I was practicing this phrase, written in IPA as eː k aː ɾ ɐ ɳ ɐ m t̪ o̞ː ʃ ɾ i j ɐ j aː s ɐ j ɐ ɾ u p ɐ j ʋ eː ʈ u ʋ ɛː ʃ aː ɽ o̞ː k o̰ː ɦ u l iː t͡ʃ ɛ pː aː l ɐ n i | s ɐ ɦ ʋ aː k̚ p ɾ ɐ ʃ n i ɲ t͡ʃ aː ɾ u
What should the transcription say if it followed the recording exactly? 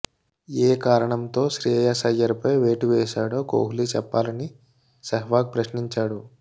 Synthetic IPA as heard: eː k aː ɾ ɐ ɳ ɐ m t̪ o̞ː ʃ ɾ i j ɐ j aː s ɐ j ɐ ɾ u p ɐ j ʋ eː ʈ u ʋ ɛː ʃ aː ɽ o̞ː k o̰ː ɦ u l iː t͡ʃ ɛ pː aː l ɐ n i | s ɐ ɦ ʋ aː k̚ p ɾ ɐ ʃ n i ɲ t͡ʃ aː ɽ u

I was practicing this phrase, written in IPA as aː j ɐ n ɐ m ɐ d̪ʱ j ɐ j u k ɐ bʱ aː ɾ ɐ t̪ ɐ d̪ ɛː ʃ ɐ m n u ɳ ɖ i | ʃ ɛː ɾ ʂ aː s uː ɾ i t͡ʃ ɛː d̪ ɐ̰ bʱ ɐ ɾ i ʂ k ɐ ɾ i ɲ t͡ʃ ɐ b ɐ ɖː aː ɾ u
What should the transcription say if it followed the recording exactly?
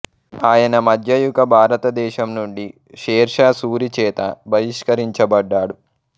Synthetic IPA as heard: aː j ɐ n ɐ m ɐ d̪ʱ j ɐ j u k ɐ bʱ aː ɾ ɐ t̪ ɐ d̪ ɛː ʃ ɐ m n u ɳ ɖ i | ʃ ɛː ɾ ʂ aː s uː ɾ i t͡ʃ ɛː t̪ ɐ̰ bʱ ɐ ɾ i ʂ k ɐ ɾ i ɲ t͡ʃ ɐ b ɐ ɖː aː ɽ u

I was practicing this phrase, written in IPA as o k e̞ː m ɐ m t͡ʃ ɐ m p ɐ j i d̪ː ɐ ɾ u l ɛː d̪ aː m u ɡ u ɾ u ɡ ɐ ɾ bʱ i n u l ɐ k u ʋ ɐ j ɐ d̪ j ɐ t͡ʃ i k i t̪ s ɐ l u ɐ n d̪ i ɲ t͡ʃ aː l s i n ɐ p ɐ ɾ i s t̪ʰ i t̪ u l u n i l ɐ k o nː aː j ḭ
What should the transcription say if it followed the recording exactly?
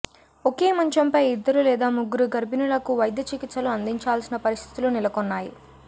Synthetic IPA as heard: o k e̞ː m ɐ ɲ t͡ʃ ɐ m p ɐ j i d̪ː ɐ ɾ u l ɛː d̪ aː m u ɡ u ɾ u ɡ ɐ ɾ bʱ i n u l ɐ k u ʋ ɐ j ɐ d̪ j ɐ t͡ʃ i k i t̪ s ɐ l u ɐ n d̪ i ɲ t͡ʃ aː l s i n ɐ p ɐ ɾ i s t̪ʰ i t̪ u l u n i l ɐ k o nː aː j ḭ

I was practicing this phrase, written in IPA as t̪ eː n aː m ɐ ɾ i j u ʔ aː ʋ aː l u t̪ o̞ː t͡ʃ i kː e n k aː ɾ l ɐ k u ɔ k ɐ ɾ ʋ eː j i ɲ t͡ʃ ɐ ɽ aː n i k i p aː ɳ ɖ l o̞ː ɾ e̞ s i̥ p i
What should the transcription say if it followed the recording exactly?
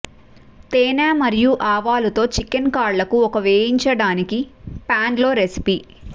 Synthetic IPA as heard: t̪ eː n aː m ɐ ɾ i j u ʔ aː ʋ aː l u t̪ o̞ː t͡ʃ i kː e n k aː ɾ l ɐ k u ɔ k ɐ ʋ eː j i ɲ t͡ʃ ɐ ɽ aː n i k i p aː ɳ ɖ l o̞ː ɾ e̞ s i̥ p i

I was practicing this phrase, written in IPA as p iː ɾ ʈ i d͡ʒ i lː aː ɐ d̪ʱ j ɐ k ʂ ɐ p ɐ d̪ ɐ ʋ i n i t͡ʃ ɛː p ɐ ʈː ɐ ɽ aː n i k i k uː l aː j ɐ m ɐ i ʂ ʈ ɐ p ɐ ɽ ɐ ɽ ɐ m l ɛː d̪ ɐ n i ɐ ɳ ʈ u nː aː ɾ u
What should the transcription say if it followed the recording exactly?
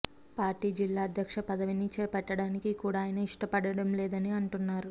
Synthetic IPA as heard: p aː ɾ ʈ iː d͡ʒ i lː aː ɐ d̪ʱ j ɐ k ʂ ɐ p ɐ d̪ ɐ ʋ i n i t͡ʃ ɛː p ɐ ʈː ɐ ɽ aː n i k i k uː ɽ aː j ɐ n ɐ i ʂ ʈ ɐ p ɐ ɽ ɐ ɽ ɐ m l ɛː d̪ ɐ n i ɐ ɳ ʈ u nː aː ɾ u

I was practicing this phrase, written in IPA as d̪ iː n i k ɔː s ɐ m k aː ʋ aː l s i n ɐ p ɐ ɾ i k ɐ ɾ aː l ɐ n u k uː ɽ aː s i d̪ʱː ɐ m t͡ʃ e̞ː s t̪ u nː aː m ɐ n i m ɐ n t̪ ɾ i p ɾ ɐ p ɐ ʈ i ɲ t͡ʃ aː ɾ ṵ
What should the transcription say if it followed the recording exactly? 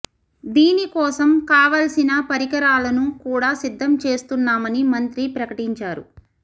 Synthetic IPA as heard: d̪ iː n i k ɔː s ɐ m k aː ʋ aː l s i n ɐ p ɐ ɾ i k ɐ ɾ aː l ɐ n u k uː ɽ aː s i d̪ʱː ɐ m t͡ʃ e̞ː s t̪ u nː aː m ɐ n i m ɐ n t̪ ɾ i p ɾ ɐ k ɐ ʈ i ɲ t͡ʃ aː ɾ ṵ

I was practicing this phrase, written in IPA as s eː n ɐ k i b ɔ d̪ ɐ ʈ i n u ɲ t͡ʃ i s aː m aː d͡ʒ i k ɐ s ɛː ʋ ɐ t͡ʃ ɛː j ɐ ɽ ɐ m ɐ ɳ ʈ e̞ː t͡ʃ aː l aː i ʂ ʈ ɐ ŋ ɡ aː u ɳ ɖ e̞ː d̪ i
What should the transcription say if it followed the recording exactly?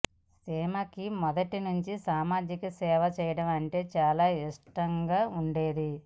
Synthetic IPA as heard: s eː m ɐ k i m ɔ d̪ ɐ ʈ i n u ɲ t͡ʃ i s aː m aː d͡ʒ i k ɐ s ɛː ʋ ɐ t͡ʃ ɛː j ɐ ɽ ɐ m ɐ ɳ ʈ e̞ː t͡ʃ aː l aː i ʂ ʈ ɐ ŋ ɡ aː u ɳ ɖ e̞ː d̪ i

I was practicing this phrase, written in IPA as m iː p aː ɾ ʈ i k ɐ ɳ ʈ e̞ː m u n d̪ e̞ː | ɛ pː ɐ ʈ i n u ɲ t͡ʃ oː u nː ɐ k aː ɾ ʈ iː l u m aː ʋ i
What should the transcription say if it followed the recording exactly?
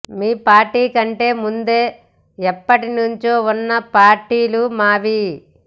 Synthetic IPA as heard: m iː p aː ɾ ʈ iː k ɐ ɳ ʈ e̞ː m u n d̪ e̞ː | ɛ pː ɐ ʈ i n u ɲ t͡ʃ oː u nː ɐ p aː ɾ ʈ iː l u m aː ʋ i

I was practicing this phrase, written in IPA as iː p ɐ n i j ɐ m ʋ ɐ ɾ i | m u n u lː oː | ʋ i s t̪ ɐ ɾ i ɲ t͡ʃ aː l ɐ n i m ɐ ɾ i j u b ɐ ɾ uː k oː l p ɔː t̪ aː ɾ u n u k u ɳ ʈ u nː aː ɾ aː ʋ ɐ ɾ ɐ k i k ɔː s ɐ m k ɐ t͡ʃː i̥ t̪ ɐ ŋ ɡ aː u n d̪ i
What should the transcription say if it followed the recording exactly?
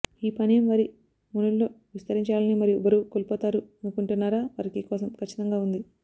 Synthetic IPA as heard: iː p ɐ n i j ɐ m ʋ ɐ ɾ i | m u n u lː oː | ʋ i s t̪ ɐ ɾ i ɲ t͡ʃ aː l ɐ n i m ɐ ɾ i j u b ɐ ɾ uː k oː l p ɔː t̪ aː ɾ u n u k u ɳ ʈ u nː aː ɾ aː ʋ ɐ ɾ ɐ k i k ɔː s ɐ m k ɐ t͡ʃː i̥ t̪ ɐ ŋ ɡ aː u n d̪ i

